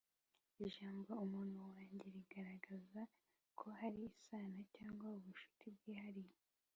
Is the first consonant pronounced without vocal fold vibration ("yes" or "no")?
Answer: no